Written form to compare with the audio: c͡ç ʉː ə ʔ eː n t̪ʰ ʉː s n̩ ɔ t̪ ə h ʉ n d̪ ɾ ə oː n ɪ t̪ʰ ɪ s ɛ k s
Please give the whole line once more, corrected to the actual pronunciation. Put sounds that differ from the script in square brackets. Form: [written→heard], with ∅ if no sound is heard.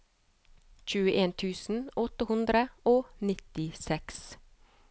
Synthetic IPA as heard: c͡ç ʉː ə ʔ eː n t̪ʰ ʉː s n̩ ɔ t̪ ə h ʉ n d̪ ɾ ə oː n ɪ [t̪ʰ→t̪] ɪ s ɛ k s

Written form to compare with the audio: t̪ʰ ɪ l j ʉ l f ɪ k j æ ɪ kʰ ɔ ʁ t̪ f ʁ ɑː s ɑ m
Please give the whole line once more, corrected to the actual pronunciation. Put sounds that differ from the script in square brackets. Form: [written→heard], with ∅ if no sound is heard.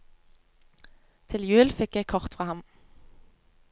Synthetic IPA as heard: t̪ʰ ɪ l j [ʉ→ʉː] l f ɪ k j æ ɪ kʰ ɔ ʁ t̪ f ʁ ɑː [s→h] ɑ m

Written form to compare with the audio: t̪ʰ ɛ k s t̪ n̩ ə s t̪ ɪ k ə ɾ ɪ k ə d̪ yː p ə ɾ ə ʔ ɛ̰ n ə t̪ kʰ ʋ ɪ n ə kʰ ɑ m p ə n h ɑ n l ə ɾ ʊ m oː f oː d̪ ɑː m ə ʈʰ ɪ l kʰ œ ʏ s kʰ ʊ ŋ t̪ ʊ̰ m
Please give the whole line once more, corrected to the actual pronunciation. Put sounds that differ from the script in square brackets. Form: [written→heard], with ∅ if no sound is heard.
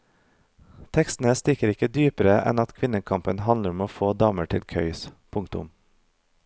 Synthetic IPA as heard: t̪ʰ ɛ k s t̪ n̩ ə s t̪ ɪ k ə ɾ ɪ k ə d̪ yː p ə ɾ ə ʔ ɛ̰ n [ə→ɑ] t̪ kʰ ʋ ɪ n ə kʰ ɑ m p ə n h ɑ n l ə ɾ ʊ m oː f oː d̪ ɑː m ə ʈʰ ɪ l kʰ œ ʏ s [kʰ→pʰ] ʊ ŋ t̪ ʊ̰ m

